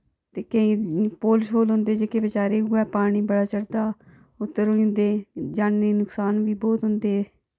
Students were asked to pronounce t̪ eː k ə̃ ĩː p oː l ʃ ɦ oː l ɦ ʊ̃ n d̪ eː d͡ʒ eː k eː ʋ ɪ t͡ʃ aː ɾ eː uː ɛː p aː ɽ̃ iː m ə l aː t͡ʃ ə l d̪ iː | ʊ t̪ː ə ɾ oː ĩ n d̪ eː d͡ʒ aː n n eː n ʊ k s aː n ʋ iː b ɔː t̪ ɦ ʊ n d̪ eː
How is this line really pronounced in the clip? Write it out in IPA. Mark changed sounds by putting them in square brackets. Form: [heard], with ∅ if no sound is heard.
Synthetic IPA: t̪ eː k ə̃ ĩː p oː l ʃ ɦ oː l ɦ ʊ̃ n d̪ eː d͡ʒ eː k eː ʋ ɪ t͡ʃ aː ɾ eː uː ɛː p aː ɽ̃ iː [b] ə [ɽ] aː t͡ʃ ə [ɽ] d̪ [aː] | ʊ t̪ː ə ɾ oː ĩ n d̪ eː d͡ʒ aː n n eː n ʊ k s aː n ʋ iː b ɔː t̪ ɦ ʊ n d̪ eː